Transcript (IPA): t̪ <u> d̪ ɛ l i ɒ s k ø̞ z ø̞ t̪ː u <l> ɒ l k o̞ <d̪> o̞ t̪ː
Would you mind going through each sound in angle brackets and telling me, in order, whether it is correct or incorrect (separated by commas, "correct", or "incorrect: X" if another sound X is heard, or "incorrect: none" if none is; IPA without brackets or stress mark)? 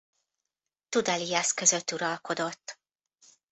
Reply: correct, incorrect: ɾ, correct